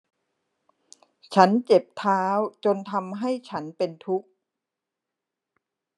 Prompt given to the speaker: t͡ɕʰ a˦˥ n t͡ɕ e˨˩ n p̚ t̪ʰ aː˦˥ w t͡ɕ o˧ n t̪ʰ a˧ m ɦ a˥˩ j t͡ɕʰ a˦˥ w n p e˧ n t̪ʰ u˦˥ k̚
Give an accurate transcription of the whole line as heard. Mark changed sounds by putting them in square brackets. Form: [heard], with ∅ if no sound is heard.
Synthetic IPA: t͡ɕʰ a˦˥ n t͡ɕ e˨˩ [∅] p̚ t̪ʰ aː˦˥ w t͡ɕ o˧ n t̪ʰ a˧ m ɦ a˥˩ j t͡ɕʰ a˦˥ [∅] n p e˧ n t̪ʰ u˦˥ k̚